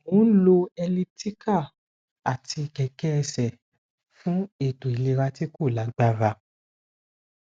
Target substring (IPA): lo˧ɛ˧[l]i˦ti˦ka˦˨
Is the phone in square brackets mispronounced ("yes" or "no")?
no